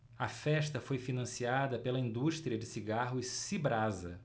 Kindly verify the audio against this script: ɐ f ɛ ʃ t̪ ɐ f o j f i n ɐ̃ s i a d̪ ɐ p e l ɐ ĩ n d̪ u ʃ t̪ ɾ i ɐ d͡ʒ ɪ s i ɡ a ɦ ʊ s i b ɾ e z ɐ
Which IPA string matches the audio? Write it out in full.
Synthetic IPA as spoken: ɐ f ɛ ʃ t̪ ɐ f o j f i n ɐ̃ s i a d̪ ɐ p e l ɐ ĩ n d̪ u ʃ t̪ ɾ i ɐ d͡ʒ ɪ s i ɡ a ɦ ʊ s i b ɾ a z ɐ